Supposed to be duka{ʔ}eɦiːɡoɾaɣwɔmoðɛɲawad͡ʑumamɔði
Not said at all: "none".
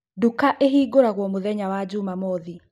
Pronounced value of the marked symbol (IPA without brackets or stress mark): ʔ